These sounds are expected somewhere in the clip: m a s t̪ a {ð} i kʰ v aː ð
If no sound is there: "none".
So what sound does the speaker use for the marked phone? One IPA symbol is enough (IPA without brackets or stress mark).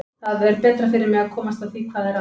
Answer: θ